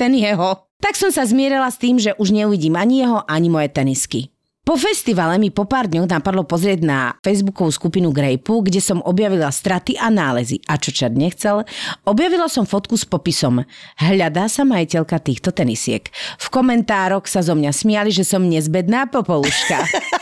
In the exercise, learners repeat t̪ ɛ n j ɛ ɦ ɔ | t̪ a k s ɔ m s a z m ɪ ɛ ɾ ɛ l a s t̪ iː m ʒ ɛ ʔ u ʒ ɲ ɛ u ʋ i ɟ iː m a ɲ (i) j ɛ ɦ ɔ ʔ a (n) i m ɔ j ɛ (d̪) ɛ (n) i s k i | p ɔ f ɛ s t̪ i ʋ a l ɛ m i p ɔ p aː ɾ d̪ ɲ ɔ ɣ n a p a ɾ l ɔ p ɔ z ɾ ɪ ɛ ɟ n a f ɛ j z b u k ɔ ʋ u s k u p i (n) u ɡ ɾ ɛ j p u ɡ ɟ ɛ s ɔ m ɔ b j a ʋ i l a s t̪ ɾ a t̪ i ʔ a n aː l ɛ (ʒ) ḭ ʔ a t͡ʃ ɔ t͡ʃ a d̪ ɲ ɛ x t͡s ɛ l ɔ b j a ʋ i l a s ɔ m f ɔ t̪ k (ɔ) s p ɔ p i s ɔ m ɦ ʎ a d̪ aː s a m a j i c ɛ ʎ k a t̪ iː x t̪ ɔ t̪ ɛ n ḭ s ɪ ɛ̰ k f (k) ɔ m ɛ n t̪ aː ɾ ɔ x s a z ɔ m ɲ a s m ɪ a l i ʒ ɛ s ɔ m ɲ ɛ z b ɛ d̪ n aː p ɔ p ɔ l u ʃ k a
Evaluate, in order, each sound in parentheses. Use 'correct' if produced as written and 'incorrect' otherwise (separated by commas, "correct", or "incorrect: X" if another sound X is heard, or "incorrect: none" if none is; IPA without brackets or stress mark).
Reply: correct, incorrect: ɲ, incorrect: t̪, correct, correct, incorrect: z, incorrect: u, correct